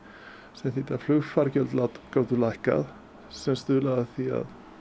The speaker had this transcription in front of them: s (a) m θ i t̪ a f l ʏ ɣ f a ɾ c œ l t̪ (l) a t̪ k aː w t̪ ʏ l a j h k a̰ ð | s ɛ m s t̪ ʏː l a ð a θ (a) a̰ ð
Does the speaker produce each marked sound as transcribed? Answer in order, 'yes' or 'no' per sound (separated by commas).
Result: no, yes, no